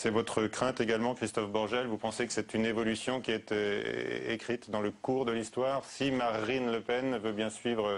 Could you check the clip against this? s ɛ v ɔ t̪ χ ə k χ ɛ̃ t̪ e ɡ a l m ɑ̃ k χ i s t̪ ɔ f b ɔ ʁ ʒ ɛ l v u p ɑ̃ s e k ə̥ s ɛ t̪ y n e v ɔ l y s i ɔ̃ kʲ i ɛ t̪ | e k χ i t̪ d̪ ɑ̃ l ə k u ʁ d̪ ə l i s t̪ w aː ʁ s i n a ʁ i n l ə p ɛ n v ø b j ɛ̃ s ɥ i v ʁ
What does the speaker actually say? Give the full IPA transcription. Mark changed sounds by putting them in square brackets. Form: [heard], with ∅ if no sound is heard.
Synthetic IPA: s ɛ v ɔ t̪ χ ə k χ ɛ̃ t̪ e ɡ a l m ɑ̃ k χ i s t̪ ɔ f b ɔ ʁ ʒ ɛ l v u p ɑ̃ s e k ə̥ s ɛ t̪ y n e v ɔ l y s [j] ɔ̃ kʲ i ɛ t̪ | e k χ i t̪ d̪ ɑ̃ l ə k u ʁ d̪ ə l i s t̪ w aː ʁ s i [m] a ʁ i n l ə p ɛ n v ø b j ɛ̃ s ɥ i v ʁ